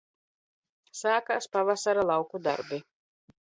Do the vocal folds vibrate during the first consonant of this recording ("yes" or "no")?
no